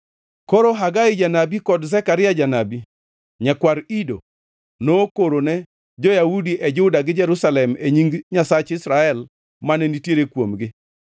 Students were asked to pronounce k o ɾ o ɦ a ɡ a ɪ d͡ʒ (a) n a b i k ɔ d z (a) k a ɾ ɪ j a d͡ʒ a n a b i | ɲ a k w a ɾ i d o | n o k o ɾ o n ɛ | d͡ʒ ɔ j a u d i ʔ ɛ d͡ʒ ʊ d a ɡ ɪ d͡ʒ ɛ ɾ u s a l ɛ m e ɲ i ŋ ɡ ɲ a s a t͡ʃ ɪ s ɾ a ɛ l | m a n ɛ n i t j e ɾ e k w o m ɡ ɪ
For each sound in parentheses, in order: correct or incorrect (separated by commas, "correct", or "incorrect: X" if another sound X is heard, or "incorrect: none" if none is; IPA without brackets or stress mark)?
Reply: correct, incorrect: ɛ